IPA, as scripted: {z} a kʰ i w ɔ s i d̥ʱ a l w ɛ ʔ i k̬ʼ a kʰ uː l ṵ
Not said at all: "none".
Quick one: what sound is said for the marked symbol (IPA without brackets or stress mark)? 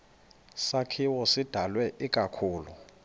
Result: s